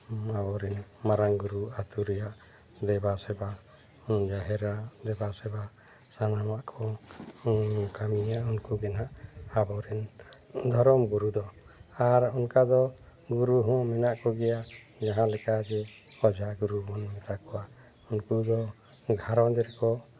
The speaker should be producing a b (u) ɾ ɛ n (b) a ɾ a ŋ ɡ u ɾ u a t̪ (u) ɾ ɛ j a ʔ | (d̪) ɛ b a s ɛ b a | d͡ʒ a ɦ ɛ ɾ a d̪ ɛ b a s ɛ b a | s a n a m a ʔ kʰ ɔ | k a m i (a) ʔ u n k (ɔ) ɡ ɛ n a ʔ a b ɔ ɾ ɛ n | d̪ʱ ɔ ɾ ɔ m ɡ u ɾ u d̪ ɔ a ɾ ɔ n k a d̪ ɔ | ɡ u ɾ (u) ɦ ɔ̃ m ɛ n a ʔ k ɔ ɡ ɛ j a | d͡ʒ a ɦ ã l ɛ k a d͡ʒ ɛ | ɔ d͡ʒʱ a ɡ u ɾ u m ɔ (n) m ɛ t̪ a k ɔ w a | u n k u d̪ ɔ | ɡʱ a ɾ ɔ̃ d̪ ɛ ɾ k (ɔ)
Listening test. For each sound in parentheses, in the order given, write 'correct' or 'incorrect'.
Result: incorrect: ɔ, incorrect: m, correct, correct, correct, incorrect: u, correct, correct, correct

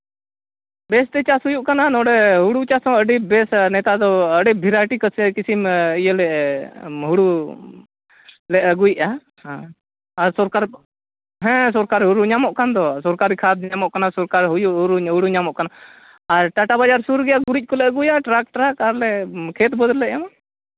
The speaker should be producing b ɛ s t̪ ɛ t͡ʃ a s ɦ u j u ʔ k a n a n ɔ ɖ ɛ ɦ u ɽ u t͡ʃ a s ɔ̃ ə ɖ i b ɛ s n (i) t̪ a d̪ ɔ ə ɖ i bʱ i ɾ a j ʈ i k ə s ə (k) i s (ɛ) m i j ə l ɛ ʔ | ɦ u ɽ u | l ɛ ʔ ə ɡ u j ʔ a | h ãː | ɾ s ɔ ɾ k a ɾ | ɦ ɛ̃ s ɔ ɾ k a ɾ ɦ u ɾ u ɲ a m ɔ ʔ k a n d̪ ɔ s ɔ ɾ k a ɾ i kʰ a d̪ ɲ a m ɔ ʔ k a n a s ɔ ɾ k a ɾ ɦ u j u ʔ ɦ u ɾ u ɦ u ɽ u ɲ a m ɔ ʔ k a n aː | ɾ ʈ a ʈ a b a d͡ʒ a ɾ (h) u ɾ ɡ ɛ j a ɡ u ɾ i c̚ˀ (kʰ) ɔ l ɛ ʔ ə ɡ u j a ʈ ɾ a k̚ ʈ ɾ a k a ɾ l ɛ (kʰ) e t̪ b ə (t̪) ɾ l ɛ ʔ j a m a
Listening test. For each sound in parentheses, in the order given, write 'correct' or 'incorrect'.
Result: incorrect: ɛ, correct, incorrect: i, incorrect: s, incorrect: k, correct, incorrect: d̪

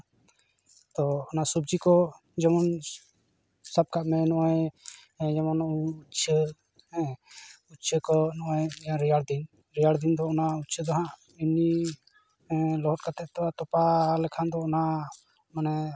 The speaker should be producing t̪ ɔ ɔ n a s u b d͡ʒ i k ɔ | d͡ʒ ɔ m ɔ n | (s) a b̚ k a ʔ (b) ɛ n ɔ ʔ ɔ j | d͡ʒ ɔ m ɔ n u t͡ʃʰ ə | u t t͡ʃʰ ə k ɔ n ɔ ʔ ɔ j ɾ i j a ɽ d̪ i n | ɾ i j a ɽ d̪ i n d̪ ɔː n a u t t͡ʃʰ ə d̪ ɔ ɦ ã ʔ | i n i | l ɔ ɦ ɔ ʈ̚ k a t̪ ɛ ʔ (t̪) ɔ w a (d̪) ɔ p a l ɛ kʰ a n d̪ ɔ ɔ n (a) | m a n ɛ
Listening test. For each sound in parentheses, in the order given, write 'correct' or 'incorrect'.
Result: correct, incorrect: m, correct, incorrect: t̪, correct

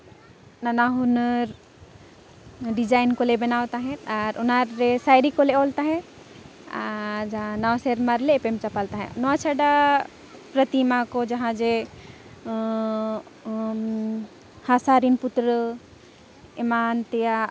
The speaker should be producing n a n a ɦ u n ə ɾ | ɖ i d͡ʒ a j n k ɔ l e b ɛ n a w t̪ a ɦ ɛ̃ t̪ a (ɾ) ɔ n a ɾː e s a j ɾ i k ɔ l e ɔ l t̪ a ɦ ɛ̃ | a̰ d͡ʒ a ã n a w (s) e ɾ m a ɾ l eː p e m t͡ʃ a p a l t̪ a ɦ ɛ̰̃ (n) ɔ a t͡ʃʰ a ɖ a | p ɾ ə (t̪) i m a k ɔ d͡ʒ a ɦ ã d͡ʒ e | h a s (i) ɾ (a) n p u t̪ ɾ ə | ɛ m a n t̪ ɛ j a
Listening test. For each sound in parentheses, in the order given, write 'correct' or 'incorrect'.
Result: correct, correct, correct, correct, incorrect: a, incorrect: i

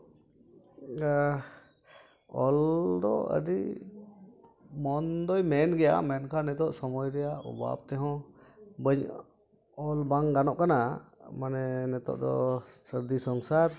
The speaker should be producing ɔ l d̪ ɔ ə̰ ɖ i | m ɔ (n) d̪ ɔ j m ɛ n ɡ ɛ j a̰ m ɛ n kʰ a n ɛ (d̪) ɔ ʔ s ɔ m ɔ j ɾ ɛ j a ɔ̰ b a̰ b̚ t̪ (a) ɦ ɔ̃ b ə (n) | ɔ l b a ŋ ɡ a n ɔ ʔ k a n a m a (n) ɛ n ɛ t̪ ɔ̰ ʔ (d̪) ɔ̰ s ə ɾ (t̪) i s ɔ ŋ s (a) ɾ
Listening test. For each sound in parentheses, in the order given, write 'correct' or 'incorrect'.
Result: correct, incorrect: t̪, incorrect: ɛ, incorrect: ɲ, correct, correct, incorrect: d̪, correct

